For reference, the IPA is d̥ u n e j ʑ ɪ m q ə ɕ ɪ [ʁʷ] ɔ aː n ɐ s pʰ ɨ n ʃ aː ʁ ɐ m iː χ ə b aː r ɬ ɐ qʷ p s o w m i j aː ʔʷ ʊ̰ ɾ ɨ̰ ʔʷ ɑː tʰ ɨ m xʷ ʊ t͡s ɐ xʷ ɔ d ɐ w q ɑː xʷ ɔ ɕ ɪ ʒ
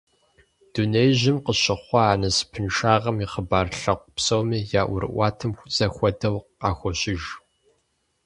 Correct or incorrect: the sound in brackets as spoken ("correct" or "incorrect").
incorrect